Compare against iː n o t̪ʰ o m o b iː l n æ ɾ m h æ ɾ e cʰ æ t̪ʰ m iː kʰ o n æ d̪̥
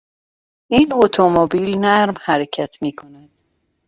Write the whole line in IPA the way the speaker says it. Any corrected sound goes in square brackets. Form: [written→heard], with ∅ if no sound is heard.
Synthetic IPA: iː n o t̪ʰ o m o b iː l n æ ɾ m h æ ɾ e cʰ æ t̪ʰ m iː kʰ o n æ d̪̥